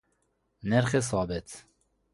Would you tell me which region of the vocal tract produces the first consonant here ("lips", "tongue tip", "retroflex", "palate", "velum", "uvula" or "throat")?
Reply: tongue tip